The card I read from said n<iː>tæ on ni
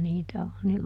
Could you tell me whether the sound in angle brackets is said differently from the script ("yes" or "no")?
no